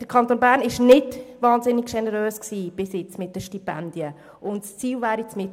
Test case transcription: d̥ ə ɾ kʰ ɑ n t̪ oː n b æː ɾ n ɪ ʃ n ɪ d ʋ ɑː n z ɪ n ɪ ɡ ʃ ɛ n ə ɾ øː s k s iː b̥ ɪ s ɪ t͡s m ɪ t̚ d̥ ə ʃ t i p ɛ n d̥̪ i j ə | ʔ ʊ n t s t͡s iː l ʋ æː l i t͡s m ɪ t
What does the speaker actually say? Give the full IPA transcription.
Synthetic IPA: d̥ ə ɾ kʰ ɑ n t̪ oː n b æː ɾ n ɪ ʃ n ɪ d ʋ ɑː n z ɪ n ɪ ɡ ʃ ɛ n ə ɾ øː s k s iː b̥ ɪ s ɪ t͡s m ɪ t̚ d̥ ə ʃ t i p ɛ n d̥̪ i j ə | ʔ ʊ n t s t͡s iː l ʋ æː ɾ i t͡s m ɪ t